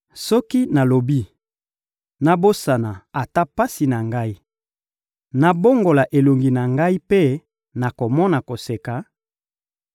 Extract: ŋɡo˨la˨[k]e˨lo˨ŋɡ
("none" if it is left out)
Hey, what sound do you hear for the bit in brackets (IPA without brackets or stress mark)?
ʔ